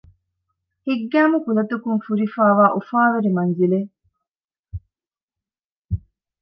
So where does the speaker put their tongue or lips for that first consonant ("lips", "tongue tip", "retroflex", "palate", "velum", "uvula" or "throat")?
throat